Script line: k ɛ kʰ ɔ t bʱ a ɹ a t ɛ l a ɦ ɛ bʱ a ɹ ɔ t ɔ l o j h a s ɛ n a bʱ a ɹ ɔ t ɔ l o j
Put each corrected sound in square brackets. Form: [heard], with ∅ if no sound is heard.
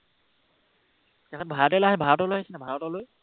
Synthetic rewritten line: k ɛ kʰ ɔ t bʱ a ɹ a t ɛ l a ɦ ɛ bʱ a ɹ ɔ t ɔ l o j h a s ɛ n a bʱ a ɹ ɔ t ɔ l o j

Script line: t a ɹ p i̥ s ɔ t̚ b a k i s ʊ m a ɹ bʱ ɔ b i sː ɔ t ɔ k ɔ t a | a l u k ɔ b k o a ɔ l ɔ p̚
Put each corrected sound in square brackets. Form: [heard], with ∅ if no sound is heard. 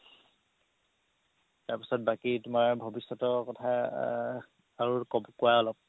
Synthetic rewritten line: t a ɹ p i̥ s ɔ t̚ b a k i [t] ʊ m a ɹ bʱ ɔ b i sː ɔ t ɔ k ɔ [tʰ] a | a [ɹ] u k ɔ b k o a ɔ l ɔ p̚

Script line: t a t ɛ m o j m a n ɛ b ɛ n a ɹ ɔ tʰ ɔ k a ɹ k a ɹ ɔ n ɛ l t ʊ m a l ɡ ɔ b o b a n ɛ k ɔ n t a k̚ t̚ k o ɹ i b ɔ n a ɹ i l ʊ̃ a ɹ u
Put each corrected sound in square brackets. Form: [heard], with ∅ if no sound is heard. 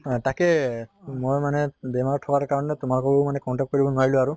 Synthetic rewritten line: t a [k] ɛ m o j m a n ɛ b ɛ [m] a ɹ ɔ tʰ ɔ k a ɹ k a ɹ ɔ n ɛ [∅] t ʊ m a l [k] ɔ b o [m] a n ɛ k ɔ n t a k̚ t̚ k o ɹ i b ɔ n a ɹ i l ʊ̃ a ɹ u

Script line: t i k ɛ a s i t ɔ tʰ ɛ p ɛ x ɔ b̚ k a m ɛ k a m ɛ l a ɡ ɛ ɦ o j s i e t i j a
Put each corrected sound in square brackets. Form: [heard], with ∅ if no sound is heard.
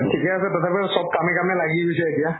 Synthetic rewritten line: [tʰ] i k ɛ a s [ɛ] t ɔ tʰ [a] p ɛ [s] ɔ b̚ k a m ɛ k a m ɛ l a ɡ [i] ɦ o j s [ɛ] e t i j a

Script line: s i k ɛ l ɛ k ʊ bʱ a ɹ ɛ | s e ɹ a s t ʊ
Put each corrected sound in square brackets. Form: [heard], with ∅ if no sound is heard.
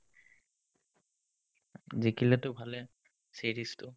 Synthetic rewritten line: [z] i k [i] l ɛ [t] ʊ bʱ a [l] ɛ | s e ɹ [i] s t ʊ

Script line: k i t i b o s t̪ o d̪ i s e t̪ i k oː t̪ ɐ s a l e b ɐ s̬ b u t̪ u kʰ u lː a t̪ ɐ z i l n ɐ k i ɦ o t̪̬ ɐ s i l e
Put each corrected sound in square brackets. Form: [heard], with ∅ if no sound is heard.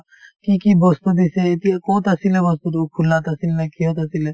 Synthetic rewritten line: k i [k] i b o s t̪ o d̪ i s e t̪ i k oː t̪ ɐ s [i] l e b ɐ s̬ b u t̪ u kʰ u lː a t̪ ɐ [s] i l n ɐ k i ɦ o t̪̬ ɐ s i l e

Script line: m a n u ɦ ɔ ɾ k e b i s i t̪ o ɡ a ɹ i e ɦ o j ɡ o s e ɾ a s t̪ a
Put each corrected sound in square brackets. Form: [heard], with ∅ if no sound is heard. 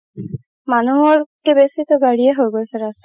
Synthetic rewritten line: m a n u ɦ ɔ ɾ k e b [e] s i t̪ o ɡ a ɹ i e ɦ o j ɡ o s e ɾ a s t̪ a

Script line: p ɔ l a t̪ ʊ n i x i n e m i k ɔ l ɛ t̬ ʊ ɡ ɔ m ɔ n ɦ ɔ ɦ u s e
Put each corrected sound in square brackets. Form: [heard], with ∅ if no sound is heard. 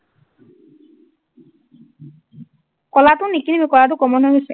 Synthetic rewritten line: [k] ɔ l a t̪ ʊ n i [k] i n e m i k ɔ l [a] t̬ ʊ [k] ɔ m ɔ n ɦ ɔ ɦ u s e

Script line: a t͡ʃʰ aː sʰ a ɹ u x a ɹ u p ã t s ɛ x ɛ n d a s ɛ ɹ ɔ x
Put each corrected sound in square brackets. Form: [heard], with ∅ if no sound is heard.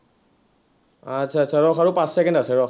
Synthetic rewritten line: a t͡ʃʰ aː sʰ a ɹ [ɔ] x a ɹ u p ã [s] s ɛ [k] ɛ n d a s ɛ ɹ ɔ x

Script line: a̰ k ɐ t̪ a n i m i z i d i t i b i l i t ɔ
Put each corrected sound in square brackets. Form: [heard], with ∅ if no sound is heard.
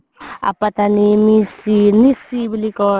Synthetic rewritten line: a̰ [p] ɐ t̪ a n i m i [s] i [n] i [s] i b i l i [k] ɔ

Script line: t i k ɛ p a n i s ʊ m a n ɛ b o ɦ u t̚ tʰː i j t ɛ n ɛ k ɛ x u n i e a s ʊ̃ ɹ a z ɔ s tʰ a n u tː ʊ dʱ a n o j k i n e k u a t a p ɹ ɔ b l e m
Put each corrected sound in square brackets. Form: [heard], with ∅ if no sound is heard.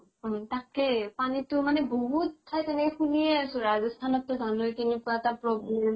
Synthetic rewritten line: t [a] k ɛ p a n i [t] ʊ m a n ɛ b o ɦ u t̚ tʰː [a] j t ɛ n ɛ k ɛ x u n i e a s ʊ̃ ɹ a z ɔ s tʰ a n [ɔ] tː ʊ dʱ a n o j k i n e k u a t a p ɹ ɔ b l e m

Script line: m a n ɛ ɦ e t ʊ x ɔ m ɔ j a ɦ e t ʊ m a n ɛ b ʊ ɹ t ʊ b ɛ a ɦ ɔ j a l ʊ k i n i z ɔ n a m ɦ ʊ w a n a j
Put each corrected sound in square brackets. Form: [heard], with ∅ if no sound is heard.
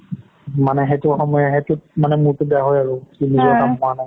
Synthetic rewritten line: m a n ɛ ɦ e t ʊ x ɔ m ɔ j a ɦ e t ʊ m a n ɛ [m] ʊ ɹ t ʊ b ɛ a ɦ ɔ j a [ɹ] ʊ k i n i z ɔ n a m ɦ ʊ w a n a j

